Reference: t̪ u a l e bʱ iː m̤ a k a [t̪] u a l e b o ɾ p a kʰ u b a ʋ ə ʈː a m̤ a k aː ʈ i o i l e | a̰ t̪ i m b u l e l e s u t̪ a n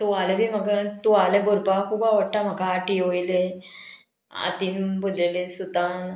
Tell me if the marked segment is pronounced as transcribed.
yes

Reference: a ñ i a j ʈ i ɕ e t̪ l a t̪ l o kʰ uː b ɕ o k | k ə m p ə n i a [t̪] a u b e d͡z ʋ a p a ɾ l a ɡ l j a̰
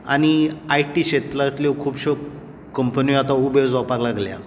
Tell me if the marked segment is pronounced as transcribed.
yes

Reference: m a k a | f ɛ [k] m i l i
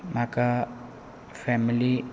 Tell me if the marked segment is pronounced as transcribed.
no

